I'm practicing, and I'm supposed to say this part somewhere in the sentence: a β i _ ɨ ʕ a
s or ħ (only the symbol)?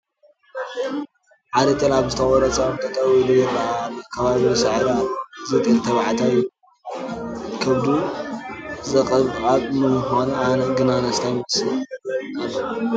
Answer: s